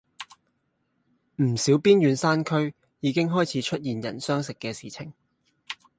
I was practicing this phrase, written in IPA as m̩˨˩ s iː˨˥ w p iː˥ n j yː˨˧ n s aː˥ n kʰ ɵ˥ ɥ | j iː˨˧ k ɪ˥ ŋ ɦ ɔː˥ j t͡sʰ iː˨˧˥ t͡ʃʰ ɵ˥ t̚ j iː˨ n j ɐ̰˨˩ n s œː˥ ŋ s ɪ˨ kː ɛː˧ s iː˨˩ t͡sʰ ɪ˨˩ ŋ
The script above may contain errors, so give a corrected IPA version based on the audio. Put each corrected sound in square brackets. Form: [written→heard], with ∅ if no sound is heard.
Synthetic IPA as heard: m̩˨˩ s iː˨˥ w p iː˥ n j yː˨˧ n s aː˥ n kʰ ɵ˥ ɥ | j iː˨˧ k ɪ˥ ŋ ɦ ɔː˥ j t͡sʰ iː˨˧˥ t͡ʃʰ ɵ˥ t̚ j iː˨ n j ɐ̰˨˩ n s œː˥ ŋ s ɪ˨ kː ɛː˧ s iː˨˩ t͡sʰ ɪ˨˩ ŋ